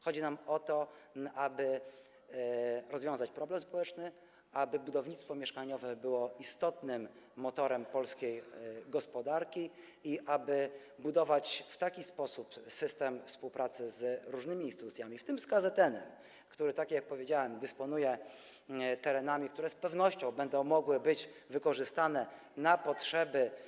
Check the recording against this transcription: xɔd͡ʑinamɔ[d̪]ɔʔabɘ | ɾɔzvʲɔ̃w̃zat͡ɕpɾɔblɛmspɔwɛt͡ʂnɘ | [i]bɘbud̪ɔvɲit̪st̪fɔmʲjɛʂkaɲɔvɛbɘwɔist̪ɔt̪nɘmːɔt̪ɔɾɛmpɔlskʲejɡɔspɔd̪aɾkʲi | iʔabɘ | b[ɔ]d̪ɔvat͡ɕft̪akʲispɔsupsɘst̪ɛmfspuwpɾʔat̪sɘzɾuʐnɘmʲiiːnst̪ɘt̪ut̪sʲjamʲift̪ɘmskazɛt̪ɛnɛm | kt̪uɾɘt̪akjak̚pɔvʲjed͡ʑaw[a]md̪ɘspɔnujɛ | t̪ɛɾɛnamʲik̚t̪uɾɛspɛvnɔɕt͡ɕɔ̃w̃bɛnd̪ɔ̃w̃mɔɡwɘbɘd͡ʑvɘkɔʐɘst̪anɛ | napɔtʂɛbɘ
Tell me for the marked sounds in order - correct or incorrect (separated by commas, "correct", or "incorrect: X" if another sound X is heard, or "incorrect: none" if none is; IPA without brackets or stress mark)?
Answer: incorrect: t̪, incorrect: a, incorrect: u, incorrect: ɛ